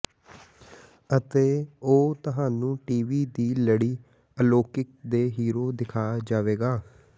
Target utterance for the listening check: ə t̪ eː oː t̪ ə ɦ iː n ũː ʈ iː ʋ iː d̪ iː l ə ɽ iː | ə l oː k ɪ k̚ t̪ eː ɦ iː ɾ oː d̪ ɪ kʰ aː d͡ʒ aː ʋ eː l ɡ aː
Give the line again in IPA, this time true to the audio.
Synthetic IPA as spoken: ə t̪ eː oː t̪ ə ɦ aː n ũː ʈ iː ʋ iː d̪ iː l ə ɽ iː | ə l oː k ɪ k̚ d̪ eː ɦ iː ɾ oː d̪ ɪ kʰ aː d͡ʒ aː ʋ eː ɡ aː

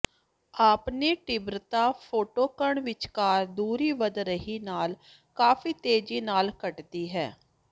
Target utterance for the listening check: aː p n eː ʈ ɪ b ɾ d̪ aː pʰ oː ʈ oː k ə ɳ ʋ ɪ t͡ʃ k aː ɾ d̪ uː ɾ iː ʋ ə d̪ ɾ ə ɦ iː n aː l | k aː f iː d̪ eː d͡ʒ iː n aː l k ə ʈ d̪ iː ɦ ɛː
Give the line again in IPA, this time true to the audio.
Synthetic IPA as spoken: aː p n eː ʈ ɪ b ɾ t̪ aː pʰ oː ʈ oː k ə ɳ ʋ ɪ t͡ʃ k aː ɾ d̪ uː ɾ iː ʋ ə d̪ ɾ ə ɦ iː n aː l | k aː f iː t̪ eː d͡ʒ iː n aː l k ə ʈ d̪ iː ɦ ɛː

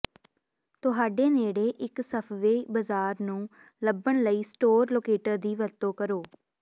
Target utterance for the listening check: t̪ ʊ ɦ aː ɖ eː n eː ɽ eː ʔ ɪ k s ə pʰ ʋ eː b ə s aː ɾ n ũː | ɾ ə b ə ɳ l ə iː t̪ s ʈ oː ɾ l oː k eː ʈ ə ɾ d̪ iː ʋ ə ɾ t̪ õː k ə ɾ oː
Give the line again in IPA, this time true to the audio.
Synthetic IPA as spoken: t̪ ʊ ɦ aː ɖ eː n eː ɽ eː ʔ ɪ k s ə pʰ ʋ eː b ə z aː ɾ n ũː | l ə b ə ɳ l ə iː s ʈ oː ɾ l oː k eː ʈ ə ɾ d̪ iː ʋ ə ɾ t̪ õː k ə ɾ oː

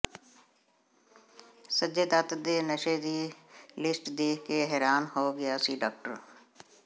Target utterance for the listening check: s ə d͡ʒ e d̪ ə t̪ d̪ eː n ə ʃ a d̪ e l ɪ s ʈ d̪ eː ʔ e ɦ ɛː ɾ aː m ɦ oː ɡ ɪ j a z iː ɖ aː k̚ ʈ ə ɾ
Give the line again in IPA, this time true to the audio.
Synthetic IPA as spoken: s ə d͡ʒ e d̪ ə t̪ d̪ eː n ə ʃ e d̪ i l ɪ s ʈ d̪ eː k e ɦ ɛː ɾ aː n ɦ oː ɡ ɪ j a s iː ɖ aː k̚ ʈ ə ɾ

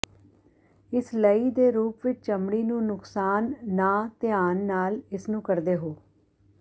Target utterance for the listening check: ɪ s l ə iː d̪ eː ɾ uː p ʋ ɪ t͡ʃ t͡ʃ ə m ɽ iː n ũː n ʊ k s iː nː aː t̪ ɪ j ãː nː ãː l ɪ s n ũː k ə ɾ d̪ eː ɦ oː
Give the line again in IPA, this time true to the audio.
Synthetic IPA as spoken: ɪ s l ə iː d̪ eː ɾ uː p ʋ ɪ t͡ʃ t͡ʃ ə m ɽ iː n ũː n ʊ k s aː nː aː t̪ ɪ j aː nː aː l ɪ s n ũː k ə ɾ d̪ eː ɦ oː

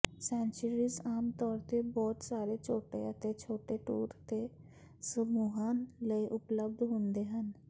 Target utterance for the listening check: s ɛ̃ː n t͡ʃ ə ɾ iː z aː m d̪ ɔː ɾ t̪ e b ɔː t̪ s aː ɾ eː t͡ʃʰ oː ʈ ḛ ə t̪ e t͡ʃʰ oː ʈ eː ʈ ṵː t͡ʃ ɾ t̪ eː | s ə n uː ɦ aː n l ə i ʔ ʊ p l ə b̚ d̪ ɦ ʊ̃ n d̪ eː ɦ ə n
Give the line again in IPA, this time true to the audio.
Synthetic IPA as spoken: s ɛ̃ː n t͡ʃ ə ɾ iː z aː m t̪ ɔː ɾ t̪ e b ɔː t̪ s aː ɾ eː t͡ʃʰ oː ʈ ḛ ə t̪ e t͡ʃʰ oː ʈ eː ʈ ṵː ɾ t̪ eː | s ə m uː ɦ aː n l ə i ʔ ʊ p l ə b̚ d̪ ɦ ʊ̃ n d̪ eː ɦ ə n

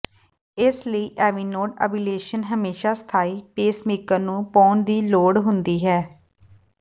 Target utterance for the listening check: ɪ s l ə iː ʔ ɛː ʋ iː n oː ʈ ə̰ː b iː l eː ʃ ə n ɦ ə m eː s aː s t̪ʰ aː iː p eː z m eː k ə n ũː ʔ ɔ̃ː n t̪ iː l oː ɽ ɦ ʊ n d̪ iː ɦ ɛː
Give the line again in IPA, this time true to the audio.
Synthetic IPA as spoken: ɪ s l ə iː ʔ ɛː ʋ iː n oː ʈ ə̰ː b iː l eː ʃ ə n ɦ ə m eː ʃ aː s t̪ʰ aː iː p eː s m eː k ə n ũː p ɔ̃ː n d̪ iː l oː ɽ ɦ ʊ n d̪ iː ɦ ɛː

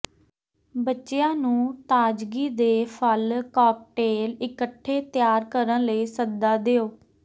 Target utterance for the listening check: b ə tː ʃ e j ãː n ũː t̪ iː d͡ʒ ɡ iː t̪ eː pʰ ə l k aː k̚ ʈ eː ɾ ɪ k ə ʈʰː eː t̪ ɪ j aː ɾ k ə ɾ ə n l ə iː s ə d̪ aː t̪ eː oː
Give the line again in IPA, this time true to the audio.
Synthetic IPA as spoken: b ə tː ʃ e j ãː n ũː t̪ aː d͡ʒ ɡ iː d̪ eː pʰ ə l k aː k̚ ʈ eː l ɪ k ə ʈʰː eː t̪ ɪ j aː ɾ k ə ɾ ə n l ə iː s ə d̪ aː d̪ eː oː

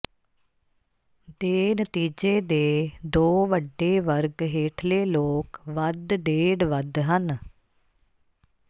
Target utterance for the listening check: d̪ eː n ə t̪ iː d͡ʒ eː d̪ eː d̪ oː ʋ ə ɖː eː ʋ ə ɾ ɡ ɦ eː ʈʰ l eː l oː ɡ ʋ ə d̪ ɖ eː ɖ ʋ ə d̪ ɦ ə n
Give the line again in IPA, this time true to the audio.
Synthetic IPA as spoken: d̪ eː n ə t̪ iː d͡ʒ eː d̪ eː d̪ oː ʋ ə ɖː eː ʋ ə ɾ ɡ ɦ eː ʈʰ l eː l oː k ʋ ə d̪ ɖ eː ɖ ʋ ə d̪ ɦ ə n

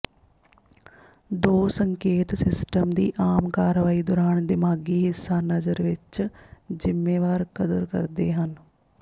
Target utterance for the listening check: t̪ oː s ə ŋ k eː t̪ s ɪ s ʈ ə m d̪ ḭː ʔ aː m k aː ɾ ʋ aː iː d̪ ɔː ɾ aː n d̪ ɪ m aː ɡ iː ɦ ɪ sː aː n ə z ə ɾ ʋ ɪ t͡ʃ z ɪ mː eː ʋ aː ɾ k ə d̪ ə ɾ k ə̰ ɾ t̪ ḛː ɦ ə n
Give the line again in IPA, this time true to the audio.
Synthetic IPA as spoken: d̪ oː s ə ŋ k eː t̪ s ɪ s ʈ ə m d̪ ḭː ʔ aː m k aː ɾ ʋ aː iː d̪ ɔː ɾ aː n d̪ ɪ m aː ɡ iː ɦ ɪ sː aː n ə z ə ɾ ʋ ɪ t͡ʃ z ɪ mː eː ʋ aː ɾ k ə d̪ ə ɾ k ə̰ ɾ d̪ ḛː ɦ ə n

